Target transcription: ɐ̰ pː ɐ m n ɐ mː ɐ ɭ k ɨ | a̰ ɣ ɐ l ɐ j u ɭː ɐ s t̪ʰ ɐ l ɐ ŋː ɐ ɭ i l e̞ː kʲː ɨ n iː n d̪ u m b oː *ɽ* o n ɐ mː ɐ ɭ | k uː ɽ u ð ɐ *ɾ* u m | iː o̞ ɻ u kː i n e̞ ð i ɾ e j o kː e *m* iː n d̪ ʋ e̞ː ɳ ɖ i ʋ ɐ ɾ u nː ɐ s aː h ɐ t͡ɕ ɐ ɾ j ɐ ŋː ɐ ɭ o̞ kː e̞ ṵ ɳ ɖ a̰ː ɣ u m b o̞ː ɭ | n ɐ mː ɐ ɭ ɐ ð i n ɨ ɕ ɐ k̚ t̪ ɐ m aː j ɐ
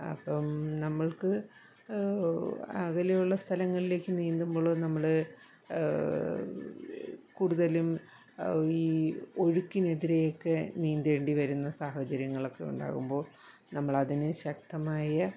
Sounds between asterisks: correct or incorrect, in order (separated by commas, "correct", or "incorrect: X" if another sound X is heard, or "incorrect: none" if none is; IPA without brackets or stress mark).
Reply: incorrect: ɭ, incorrect: l, incorrect: n